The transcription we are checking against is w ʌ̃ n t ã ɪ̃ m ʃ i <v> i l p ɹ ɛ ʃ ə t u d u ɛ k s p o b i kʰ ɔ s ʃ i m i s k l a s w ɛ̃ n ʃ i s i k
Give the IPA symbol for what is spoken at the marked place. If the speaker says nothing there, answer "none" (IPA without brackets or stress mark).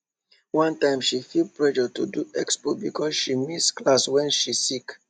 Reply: f